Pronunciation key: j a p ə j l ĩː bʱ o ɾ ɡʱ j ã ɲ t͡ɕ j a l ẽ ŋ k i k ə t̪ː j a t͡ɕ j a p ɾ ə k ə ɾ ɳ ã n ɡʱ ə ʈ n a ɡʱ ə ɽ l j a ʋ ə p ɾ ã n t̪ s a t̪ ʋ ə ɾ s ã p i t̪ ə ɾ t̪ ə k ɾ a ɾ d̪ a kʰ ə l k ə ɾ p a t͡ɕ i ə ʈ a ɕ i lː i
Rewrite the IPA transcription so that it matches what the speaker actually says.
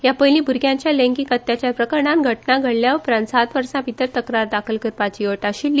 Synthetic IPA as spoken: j a p ə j l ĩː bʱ u ɾ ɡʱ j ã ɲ t͡ɕ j a l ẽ ŋ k i k ə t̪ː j a t͡ɕ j a p ɾ ə k ə ɾ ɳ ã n ɡʱ ə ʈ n a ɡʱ ə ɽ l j a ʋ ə p ɾ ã n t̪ s a t̪ ʋ ə ɾ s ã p i t̪ ə ɾ t̪ ə k ɾ a ɾ d̪ a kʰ ə l k ə ɾ p a t͡ɕ i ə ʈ a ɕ i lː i